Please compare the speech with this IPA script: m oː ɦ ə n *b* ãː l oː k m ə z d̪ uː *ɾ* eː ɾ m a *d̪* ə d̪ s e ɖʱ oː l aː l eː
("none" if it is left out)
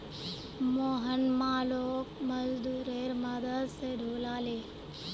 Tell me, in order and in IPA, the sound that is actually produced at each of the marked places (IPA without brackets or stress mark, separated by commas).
m, ɾ, d̪